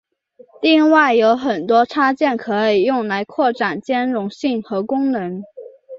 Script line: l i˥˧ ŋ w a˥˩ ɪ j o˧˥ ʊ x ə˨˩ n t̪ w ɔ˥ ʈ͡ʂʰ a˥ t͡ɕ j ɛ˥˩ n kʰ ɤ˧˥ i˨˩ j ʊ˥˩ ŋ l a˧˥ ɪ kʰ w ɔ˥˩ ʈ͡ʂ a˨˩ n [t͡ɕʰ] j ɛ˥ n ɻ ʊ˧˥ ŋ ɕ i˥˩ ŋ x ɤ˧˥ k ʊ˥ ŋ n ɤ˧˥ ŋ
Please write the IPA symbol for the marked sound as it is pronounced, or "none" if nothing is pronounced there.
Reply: t͡ɕ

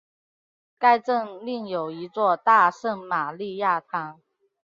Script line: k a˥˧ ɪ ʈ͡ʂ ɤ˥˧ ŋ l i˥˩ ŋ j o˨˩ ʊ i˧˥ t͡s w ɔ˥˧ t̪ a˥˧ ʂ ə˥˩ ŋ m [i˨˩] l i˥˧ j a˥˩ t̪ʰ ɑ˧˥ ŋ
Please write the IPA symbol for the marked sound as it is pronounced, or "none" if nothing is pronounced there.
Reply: a˨˩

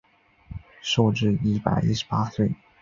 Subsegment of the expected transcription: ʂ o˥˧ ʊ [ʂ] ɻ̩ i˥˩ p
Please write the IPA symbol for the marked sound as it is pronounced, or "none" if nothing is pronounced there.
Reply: ʈ͡ʂ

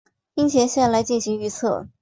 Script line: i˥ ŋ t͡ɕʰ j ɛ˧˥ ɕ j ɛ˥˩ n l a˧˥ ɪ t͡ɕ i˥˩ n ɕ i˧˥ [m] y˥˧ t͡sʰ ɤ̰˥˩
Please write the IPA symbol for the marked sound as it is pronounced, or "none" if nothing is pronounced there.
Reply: ŋ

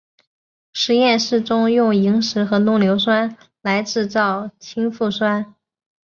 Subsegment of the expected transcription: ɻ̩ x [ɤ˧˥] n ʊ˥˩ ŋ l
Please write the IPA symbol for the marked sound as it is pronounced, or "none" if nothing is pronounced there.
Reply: ɤ˧˥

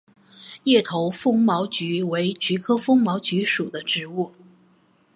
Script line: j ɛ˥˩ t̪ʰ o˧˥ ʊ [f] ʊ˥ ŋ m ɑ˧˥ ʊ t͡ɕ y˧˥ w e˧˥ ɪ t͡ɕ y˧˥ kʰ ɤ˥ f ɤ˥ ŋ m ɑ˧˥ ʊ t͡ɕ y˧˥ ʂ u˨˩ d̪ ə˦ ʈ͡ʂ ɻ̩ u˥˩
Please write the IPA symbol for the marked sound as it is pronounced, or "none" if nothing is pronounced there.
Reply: f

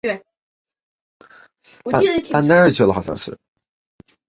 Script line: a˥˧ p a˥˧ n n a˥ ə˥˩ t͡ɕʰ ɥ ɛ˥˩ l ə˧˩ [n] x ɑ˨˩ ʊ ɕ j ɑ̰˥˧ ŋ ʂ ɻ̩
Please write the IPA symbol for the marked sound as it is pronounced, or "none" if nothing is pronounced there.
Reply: none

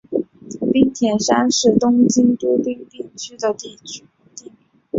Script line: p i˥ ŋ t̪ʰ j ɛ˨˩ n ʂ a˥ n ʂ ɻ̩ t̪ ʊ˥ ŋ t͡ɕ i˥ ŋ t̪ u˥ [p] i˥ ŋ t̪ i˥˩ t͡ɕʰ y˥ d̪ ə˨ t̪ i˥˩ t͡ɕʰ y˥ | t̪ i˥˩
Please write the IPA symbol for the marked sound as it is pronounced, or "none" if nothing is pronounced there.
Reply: p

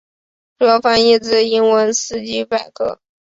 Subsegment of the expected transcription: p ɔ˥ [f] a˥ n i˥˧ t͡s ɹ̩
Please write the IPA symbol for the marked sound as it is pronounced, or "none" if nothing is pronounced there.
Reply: f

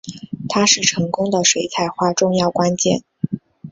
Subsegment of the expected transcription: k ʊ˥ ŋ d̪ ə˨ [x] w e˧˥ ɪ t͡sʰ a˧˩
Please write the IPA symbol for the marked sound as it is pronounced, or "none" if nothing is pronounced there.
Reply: ʂ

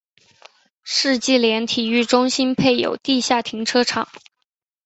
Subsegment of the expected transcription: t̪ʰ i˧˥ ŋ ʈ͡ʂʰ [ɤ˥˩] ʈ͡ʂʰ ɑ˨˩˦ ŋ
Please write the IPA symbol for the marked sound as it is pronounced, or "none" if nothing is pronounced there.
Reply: ɤ˥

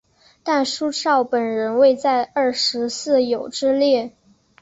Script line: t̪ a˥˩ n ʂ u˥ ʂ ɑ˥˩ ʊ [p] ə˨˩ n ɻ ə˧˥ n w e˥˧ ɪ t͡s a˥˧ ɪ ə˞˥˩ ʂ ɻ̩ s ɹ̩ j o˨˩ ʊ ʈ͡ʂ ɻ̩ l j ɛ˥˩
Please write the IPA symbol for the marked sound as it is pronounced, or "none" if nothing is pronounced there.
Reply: p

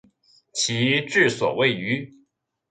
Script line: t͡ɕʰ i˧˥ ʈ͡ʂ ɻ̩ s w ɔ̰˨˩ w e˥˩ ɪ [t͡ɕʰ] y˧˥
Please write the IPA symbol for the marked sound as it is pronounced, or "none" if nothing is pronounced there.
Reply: none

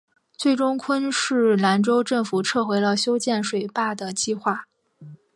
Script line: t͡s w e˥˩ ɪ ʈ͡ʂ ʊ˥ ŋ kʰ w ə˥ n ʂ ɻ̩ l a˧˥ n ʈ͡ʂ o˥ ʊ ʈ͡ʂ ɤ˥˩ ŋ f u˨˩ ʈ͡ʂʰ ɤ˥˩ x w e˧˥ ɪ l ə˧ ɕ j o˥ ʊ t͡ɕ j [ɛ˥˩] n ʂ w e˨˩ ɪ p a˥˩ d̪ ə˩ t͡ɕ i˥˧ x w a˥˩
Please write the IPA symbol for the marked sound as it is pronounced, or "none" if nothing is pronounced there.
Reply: ɛ˥˩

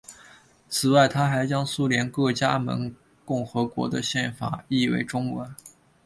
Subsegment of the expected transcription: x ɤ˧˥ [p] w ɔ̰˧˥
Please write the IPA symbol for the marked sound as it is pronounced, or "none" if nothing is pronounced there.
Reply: k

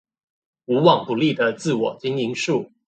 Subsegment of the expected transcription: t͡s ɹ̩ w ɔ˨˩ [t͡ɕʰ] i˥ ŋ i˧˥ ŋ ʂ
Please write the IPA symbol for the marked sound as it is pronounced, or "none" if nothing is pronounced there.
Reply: t͡ɕ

